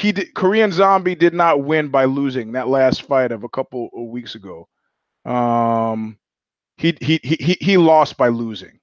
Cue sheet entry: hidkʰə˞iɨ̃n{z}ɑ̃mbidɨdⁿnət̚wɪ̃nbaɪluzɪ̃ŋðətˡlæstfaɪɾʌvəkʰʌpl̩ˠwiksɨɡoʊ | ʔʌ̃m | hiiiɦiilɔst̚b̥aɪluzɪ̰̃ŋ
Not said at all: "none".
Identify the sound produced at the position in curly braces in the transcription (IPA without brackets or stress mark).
z